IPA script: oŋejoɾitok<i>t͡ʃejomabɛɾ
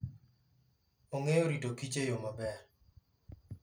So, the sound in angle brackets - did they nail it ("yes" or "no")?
yes